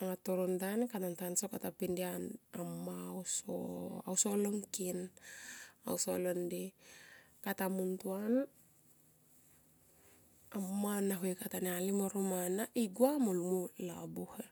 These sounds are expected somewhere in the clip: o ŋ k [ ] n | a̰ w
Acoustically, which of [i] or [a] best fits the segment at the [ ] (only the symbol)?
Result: i